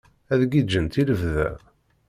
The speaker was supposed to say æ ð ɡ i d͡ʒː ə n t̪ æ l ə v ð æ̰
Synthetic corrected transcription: æ ð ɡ i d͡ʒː ə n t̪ i l ə v ð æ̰

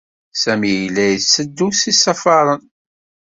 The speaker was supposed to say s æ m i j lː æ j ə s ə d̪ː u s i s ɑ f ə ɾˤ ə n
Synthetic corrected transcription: s æ m i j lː æ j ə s ə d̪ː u s i s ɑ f ɑ ɾˤ ə n

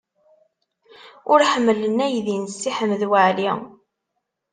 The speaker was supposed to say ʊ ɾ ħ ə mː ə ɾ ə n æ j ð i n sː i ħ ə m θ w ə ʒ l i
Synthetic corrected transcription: ʊ ɾ ħ ə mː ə l ə n æ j ð i n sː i ħ ə m ð w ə ʕ l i

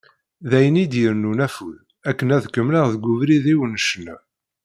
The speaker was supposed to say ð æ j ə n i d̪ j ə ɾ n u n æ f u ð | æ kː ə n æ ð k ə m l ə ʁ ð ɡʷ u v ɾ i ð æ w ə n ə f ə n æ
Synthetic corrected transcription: ð æ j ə n i d̪ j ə ɾ n u n æ f u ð | æ kː ə n æ ð k ə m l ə ʁ ð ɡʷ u v ɾ i ð i w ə n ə ʃ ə n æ

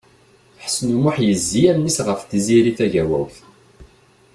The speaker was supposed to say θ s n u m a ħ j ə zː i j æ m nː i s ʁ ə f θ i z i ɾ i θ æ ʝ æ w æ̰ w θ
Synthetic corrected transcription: ħ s n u m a ħ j ə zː i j æ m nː i s ʁ ə f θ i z i ɾ i θ æ ʝ æ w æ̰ w θ

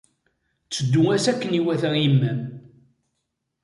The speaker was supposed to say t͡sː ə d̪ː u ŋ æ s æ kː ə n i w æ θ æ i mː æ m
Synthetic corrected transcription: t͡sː ə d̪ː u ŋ æ s æ kː ə n i w æ θ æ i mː æ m

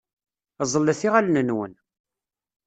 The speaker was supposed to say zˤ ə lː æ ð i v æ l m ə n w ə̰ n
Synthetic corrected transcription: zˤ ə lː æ θ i ʁ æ l n ə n w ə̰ n

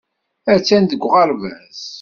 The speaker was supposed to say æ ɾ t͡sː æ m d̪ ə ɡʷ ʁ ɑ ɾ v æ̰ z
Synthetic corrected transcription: æ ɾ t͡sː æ n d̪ ə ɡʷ ʁ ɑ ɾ v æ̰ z

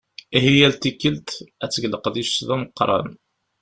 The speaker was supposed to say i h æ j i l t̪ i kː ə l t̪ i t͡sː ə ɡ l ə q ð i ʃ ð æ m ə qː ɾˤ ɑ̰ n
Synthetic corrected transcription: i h i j æ l t̪ i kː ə l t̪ æ t͡sː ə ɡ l ə q ð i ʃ ð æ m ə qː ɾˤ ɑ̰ n

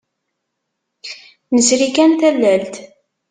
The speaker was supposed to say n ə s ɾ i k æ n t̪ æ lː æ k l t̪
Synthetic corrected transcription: n ə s ɾ i k æ n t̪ æ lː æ l t̪

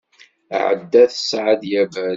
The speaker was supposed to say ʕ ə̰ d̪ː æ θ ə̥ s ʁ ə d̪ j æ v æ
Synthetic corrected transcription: ʕ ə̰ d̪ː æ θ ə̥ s ʕ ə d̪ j æ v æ

